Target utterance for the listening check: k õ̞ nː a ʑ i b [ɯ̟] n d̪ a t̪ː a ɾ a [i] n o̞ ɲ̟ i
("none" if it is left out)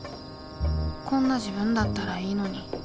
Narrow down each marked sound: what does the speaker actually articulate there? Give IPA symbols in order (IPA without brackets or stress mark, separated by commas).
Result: ɯ̟̃, iː